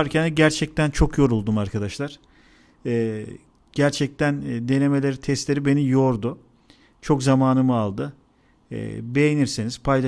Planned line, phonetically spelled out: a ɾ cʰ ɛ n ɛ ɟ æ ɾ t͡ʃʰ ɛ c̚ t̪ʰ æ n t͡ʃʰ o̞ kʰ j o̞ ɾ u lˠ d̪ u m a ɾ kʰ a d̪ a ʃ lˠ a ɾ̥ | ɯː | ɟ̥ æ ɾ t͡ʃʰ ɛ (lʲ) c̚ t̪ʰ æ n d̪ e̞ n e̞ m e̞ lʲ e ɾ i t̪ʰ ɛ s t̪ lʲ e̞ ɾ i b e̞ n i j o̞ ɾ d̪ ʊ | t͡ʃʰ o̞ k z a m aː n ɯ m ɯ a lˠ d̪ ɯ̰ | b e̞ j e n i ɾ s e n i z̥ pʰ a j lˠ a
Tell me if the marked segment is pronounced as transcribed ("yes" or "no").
no